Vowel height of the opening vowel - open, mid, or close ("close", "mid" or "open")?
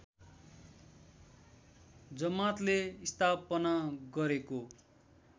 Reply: mid